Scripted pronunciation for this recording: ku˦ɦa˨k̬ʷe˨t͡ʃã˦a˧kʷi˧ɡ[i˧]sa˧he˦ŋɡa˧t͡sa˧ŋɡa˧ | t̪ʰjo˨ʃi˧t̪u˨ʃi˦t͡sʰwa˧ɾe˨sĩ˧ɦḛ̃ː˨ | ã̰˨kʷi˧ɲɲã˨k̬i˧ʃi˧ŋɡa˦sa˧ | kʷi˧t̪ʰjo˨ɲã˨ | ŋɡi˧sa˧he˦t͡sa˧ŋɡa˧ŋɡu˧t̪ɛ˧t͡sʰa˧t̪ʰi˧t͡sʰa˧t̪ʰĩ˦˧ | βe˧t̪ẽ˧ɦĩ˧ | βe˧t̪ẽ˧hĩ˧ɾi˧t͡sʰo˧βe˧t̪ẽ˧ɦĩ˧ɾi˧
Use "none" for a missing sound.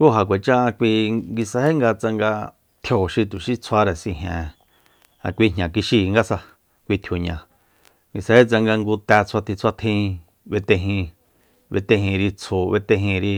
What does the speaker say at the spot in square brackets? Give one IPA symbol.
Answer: i˧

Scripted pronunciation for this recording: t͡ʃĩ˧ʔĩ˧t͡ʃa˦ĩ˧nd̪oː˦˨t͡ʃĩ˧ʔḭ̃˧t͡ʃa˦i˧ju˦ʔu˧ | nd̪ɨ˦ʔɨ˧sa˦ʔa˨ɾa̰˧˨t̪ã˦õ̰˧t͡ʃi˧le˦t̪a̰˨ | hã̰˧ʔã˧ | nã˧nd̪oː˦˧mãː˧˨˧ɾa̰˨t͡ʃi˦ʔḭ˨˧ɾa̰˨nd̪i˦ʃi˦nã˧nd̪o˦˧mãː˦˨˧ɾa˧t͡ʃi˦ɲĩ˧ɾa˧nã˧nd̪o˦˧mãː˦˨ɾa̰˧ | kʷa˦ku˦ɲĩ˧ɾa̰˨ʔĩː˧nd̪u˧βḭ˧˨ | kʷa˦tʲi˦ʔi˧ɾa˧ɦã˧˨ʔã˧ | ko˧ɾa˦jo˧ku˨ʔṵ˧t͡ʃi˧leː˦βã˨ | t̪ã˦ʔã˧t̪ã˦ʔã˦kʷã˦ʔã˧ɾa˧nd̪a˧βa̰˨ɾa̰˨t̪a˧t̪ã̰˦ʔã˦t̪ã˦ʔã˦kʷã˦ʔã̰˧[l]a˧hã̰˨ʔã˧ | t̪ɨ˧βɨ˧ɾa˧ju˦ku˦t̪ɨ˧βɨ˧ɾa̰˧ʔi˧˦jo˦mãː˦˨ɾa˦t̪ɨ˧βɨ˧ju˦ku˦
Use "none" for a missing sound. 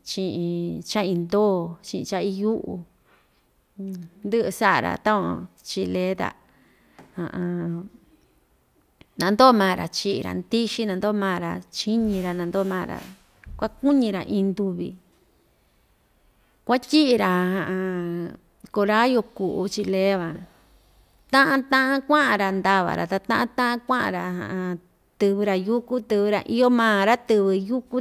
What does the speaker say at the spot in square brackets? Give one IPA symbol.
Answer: ɾ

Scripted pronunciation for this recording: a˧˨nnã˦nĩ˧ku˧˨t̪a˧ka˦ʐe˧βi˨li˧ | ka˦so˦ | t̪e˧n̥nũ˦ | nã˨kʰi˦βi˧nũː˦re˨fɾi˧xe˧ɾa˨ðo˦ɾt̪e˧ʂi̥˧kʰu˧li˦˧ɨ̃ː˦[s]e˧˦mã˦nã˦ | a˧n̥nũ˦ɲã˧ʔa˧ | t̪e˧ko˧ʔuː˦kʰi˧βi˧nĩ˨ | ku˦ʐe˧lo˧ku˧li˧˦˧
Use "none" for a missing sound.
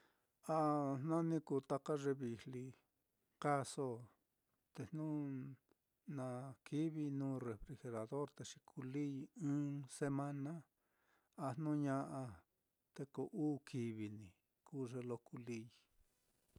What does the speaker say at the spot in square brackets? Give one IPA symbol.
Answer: s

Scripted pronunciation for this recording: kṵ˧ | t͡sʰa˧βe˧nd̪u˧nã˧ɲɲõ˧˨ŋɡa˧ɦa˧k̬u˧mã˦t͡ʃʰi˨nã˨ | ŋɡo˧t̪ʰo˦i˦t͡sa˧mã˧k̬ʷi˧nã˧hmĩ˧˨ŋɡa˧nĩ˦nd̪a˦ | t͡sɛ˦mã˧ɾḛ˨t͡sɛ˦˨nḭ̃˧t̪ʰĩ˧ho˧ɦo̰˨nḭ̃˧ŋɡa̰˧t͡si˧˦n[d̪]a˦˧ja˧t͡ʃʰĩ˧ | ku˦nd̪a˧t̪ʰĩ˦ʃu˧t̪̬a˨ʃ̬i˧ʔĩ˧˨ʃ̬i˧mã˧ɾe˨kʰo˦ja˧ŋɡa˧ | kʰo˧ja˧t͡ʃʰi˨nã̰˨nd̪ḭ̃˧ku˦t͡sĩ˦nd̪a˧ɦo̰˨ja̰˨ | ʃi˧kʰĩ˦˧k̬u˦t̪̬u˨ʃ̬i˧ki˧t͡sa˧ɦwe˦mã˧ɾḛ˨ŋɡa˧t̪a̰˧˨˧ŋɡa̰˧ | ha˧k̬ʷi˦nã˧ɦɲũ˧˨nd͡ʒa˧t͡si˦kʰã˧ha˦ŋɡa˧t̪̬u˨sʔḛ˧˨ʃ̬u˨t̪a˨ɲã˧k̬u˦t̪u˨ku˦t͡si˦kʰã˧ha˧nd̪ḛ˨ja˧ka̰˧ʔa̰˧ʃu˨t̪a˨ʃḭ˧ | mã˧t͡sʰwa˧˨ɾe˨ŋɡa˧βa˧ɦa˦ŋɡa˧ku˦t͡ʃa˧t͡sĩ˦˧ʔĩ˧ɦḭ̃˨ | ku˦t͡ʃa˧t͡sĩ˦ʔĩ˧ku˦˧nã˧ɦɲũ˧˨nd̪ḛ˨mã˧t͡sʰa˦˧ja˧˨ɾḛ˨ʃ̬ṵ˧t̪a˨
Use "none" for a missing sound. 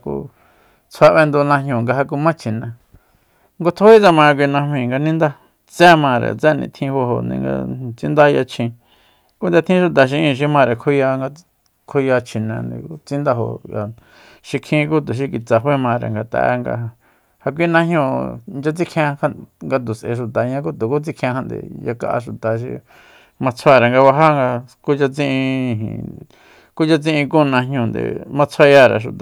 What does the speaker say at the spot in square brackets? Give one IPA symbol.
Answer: d̪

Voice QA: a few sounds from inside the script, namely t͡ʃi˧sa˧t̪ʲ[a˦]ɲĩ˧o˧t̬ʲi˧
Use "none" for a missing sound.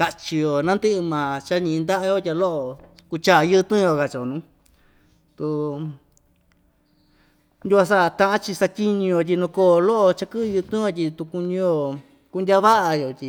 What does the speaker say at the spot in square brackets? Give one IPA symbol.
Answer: i˦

